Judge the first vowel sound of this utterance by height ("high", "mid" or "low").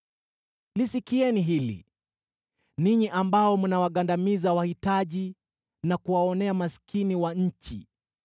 high